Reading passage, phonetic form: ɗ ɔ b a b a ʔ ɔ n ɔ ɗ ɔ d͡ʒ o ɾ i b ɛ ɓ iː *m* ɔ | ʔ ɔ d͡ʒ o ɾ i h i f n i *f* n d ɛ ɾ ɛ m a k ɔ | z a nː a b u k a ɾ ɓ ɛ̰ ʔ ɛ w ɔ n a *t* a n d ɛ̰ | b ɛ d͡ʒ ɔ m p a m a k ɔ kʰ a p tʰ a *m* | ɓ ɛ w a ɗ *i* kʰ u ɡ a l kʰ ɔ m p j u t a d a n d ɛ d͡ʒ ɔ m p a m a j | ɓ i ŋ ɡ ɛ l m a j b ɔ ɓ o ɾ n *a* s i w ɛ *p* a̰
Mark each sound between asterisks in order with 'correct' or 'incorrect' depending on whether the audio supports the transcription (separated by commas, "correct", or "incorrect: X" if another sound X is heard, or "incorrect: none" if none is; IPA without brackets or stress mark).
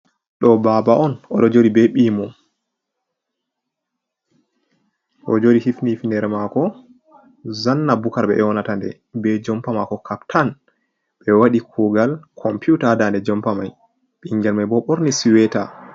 correct, correct, correct, incorrect: n, correct, incorrect: i, incorrect: t